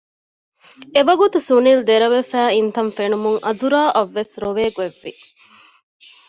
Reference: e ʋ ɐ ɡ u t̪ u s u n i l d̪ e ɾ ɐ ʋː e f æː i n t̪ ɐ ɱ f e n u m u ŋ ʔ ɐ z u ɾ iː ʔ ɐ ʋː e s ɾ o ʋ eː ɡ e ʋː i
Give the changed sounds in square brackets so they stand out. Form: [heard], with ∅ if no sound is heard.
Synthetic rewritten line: e ʋ ɐ ɡ u t̪ u s u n i l d̪ e ɾ ɐ [ʋ] e f æː i n t̪ ɐ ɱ f e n u m u ŋ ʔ ɐ z u ɾ [aː] ʔ ɐ ʋː e s ɾ o ʋ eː ɡ e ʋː i

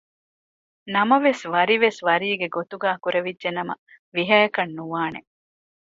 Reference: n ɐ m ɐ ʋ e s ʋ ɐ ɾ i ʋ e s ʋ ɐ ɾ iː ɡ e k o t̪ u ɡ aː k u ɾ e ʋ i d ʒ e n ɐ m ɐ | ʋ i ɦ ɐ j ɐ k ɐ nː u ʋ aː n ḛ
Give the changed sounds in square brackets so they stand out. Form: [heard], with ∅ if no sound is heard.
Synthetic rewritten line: n ɐ m ɐ ʋ e s ʋ ɐ ɾ i ʋ e s ʋ ɐ ɾ iː ɡ e [ɡ] o t̪ u ɡ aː k u ɾ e ʋ i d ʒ e n ɐ m ɐ | ʋ i ɦ ɐ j ɐ k ɐ nː u ʋ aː n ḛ

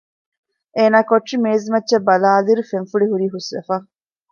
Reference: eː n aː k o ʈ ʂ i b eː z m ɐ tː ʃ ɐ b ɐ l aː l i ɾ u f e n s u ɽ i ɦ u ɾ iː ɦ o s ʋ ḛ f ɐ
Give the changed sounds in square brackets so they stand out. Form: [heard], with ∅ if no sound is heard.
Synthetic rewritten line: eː n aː k o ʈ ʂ i [m] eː z m ɐ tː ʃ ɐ b ɐ l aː l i ɾ u f e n [f] u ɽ i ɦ u ɾ iː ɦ [u] s ʋ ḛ f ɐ

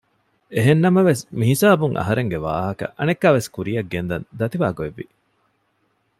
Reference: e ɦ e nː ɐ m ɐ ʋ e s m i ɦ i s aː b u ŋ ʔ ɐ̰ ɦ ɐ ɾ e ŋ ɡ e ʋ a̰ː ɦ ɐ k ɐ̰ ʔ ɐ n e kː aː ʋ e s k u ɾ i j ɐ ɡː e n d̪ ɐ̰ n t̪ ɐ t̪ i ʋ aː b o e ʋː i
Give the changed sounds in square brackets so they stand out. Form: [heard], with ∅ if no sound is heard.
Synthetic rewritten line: e ɦ e nː ɐ m ɐ ʋ e s m i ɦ i s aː b u ŋ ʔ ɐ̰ ɦ ɐ ɾ e ŋ ɡ e ʋ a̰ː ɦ ɐ k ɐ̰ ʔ ɐ n e kː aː ʋ e s k u ɾ i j ɐ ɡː e n d̪ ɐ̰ n [d̪] ɐ t̪ i ʋ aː [ɡ] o e ʋː i

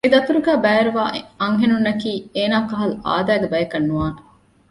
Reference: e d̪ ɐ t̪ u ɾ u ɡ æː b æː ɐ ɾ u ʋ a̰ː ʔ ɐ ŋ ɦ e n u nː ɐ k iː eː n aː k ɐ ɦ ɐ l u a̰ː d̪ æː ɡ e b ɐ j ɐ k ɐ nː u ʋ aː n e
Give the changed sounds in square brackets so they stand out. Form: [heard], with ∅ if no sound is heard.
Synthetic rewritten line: e d̪ ɐ t̪ u ɾ u ɡ æː b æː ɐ ɾ u ʋ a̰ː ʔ ɐ ŋ ɦ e n u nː ɐ k iː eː n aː k ɐ ɦ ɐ l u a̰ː d̪ æː ɡ e b ɐ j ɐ k ɐ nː u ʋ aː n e

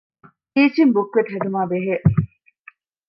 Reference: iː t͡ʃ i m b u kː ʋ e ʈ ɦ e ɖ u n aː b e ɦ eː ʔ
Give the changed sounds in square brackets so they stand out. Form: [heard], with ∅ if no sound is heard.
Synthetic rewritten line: iː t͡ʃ i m b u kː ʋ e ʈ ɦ e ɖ u [m] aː b e ɦ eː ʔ

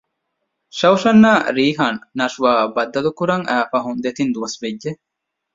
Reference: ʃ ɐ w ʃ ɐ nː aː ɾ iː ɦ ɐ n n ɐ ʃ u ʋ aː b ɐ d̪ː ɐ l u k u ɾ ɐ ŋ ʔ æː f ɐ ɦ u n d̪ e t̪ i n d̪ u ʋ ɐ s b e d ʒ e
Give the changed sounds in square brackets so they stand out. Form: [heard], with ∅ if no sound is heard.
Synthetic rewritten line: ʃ ɐ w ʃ ɐ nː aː ɾ iː ɦ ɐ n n ɐ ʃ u ʋ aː b ɐ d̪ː ɐ l u k u ɾ ɐ ŋ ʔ æː f ɐ ɦ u n d̪ e t̪ i n d̪ u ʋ ɐ s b e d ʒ e

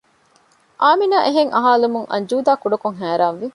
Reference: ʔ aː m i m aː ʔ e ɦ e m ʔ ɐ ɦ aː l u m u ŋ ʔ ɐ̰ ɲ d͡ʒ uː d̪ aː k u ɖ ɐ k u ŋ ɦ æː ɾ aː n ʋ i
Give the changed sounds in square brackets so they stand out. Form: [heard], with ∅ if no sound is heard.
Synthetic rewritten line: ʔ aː m i [n] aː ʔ e ɦ e [ŋ] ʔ ɐ ɦ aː l u m u ŋ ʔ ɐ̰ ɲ d͡ʒ uː d̪ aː k u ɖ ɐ k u ŋ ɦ æː ɾ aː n ʋ i

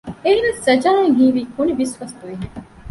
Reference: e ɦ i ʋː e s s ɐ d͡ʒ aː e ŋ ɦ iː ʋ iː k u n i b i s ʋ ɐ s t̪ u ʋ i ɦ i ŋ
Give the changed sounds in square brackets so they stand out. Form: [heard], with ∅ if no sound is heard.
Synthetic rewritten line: e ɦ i [ʋ] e s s ɐ d͡ʒ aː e ŋ ɦ iː ʋ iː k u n i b i s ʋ ɐ s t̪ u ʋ i ɦ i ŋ

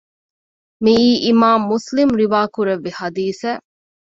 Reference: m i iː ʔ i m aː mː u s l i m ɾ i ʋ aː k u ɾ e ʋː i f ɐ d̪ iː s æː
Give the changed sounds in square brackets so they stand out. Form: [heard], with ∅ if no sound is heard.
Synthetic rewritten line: m i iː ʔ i m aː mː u s l i m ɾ i ʋ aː k u ɾ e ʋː i [h] ɐ d̪ iː s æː

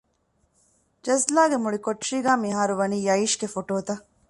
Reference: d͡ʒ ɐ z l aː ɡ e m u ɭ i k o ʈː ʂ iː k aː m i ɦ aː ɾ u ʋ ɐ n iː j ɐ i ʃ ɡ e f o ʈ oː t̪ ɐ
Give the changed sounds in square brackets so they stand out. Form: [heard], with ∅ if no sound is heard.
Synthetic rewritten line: d͡ʒ ɐ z l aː ɡ e m u ɭ i k o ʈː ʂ iː [ɡ] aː m i ɦ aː ɾ u ʋ ɐ n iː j ɐ i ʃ ɡ e f o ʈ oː t̪ ɐ

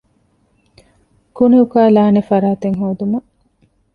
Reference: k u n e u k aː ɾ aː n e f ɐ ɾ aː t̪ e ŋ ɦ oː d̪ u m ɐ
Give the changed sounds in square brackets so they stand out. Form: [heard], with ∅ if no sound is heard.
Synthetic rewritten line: k u n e u k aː [l] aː n e f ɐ ɾ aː t̪ e ŋ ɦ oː d̪ u m ɐ

